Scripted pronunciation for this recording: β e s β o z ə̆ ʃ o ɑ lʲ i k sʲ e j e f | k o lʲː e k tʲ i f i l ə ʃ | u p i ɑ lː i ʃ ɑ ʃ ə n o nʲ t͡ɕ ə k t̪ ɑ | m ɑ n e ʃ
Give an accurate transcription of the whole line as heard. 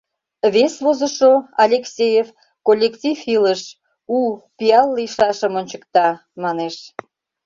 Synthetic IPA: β e s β o z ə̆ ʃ o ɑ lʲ e k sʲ e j e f | k o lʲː e k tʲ i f i l ə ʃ | u p i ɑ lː i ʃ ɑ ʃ ə m o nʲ t͡ɕ ə k t̪ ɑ | m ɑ n e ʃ